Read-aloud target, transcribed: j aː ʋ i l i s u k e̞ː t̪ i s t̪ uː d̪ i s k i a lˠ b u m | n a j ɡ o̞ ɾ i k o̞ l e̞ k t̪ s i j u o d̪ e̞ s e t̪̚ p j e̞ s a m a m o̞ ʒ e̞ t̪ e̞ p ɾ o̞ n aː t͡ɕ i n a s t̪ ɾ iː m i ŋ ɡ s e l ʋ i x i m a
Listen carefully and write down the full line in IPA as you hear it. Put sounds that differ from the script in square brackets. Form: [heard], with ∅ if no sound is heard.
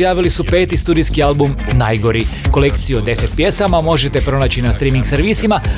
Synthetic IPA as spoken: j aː ʋ i l i s u [p] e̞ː t̪ i s t̪ uː d̪ i s k i a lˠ b u m | n a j ɡ o̞ ɾ i k o̞ l e̞ k t̪ s i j u o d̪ e̞ s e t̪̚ p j e̞ s a m a m o̞ ʒ e̞ t̪ e̞ p ɾ o̞ n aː t͡ɕ i n a s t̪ ɾ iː m i ŋ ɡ s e [ɾ] ʋ i [s] i m a